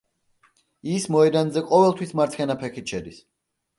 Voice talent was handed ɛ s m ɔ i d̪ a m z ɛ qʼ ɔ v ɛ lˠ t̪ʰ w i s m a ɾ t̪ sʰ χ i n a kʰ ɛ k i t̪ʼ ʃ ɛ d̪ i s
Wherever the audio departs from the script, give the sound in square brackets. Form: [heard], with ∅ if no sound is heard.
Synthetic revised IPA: [i] s m ɔ [ɛ] d̪ a [n] z ɛ qʼ ɔ v ɛ lˠ t̪ʰ w i s m a ɾ t̪ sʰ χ [ɛ] n a [pʰ] ɛ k i [t̪] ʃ ɛ d̪ i s